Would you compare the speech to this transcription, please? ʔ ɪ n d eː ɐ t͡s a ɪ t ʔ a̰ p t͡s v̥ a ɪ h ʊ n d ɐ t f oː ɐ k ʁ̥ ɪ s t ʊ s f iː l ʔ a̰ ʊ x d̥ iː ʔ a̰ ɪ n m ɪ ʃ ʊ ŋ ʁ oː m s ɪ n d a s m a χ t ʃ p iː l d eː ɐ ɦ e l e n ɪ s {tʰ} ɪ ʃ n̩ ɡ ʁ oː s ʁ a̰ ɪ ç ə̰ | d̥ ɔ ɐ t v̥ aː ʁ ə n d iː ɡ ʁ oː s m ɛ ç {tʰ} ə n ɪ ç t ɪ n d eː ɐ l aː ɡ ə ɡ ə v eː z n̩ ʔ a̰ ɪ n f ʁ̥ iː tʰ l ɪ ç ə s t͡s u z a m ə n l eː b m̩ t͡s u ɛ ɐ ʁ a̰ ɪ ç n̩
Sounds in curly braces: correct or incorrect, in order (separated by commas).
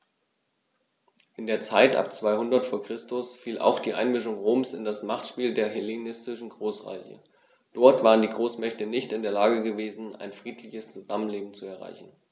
incorrect, incorrect